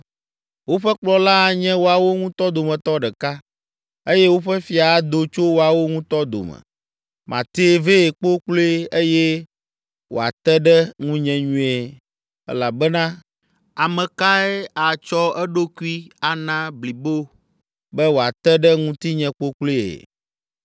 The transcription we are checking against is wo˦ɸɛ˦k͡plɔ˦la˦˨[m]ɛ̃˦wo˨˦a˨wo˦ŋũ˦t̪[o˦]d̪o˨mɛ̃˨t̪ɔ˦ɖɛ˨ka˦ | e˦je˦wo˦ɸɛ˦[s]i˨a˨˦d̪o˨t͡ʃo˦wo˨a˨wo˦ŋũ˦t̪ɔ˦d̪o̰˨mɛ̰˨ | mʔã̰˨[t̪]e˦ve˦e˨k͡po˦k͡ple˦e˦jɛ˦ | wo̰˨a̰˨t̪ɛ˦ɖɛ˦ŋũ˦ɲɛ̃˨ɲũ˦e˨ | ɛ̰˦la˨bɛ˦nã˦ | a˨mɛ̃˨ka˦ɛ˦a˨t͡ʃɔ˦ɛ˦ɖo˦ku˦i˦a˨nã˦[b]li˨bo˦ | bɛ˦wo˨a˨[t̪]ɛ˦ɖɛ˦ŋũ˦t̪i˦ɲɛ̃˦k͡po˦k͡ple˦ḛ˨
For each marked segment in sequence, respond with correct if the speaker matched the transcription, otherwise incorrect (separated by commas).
incorrect, incorrect, incorrect, correct, correct, correct